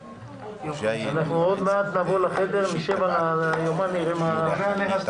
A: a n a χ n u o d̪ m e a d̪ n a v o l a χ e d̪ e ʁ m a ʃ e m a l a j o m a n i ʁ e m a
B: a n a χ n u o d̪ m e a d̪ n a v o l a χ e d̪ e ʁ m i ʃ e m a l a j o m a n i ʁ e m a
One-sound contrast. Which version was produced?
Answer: B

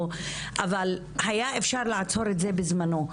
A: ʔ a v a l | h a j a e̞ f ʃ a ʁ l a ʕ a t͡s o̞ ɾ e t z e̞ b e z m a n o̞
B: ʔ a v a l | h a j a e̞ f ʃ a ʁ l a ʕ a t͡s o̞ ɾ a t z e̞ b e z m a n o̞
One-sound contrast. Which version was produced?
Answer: A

